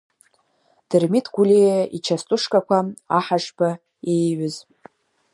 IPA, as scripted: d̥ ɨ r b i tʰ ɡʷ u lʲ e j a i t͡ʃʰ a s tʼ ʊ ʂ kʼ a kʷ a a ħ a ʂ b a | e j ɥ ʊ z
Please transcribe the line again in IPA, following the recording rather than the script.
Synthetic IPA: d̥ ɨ r m i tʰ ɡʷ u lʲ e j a i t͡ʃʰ a s tʼ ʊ ʂ kʼ a kʷ a a ħ a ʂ b a | e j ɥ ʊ z